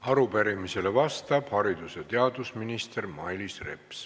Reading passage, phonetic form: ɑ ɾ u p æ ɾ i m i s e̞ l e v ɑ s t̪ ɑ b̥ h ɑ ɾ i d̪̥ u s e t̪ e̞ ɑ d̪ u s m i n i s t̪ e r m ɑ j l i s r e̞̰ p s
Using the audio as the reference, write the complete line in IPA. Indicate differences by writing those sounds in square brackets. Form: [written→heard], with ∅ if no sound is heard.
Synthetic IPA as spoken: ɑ ɾ u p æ ɾ i m i s e̞ l e v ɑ s t̪ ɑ b̥ h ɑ ɾ i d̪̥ u s e t̪ e̞ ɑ d̪ u s m i n i s t̪ e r m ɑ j l i s r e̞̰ p s